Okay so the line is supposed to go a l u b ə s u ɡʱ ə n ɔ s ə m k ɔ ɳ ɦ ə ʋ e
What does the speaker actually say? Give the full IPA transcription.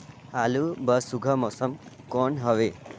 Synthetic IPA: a l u b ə s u ɡʱ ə m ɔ s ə m k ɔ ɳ ɦ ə ʋ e